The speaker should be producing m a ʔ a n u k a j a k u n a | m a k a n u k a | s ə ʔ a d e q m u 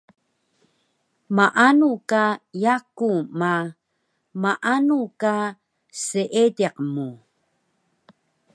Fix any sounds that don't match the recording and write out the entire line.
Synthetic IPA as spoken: m a ʔ a n u k a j a k u m a | m a ʔ a n u k a | s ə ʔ e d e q m u